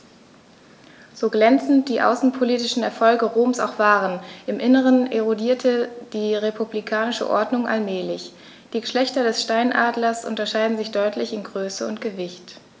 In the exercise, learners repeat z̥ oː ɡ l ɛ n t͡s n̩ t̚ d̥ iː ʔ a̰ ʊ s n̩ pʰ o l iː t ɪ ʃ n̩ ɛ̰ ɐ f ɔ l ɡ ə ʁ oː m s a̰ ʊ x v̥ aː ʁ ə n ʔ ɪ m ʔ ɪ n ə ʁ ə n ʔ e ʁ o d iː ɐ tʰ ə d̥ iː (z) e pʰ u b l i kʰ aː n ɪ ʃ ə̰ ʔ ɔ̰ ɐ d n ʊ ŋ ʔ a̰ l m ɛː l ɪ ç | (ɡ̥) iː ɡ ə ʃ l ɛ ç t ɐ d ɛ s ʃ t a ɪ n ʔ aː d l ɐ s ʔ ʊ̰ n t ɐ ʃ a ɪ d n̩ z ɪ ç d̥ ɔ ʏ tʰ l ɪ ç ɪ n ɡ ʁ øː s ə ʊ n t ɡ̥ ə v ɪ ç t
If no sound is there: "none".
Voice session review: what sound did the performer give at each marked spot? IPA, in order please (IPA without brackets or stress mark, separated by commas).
ʁ, d̥